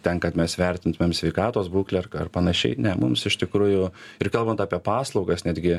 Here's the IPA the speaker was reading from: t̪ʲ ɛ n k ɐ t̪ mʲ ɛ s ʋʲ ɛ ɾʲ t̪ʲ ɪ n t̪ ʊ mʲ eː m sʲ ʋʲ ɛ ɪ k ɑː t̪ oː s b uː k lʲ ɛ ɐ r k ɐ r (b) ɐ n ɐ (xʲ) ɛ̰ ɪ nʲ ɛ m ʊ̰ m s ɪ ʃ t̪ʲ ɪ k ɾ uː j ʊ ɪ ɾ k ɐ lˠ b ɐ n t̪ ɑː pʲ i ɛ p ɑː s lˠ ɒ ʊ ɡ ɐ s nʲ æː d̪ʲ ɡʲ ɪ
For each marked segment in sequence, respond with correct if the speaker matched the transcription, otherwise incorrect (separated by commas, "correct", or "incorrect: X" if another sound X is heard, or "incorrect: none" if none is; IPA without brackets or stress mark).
incorrect: p, incorrect: ʃʲ